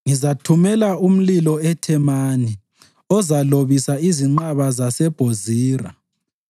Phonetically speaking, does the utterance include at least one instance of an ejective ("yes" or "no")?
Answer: no